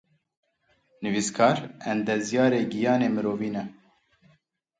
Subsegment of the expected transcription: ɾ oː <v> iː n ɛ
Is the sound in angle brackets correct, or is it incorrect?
correct